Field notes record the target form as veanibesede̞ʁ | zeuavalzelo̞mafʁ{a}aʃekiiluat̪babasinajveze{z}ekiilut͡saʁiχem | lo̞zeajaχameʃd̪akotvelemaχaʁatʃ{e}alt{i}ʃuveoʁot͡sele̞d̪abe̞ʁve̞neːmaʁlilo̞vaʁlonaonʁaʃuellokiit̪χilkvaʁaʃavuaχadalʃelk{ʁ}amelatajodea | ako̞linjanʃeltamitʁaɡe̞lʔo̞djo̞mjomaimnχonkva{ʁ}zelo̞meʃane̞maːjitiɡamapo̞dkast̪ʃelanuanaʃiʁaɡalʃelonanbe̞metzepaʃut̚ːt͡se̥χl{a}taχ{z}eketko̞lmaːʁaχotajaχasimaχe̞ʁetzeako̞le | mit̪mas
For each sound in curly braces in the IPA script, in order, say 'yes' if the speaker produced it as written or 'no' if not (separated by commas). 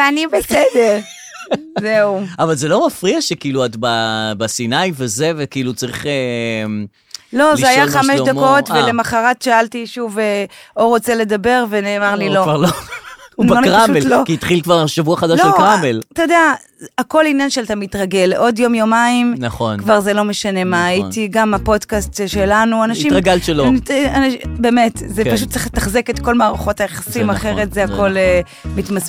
no, no, no, yes, yes, yes, no, yes